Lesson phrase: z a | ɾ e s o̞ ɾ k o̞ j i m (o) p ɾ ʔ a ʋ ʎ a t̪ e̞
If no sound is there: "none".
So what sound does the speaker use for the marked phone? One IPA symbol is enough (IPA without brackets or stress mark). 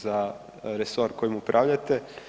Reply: u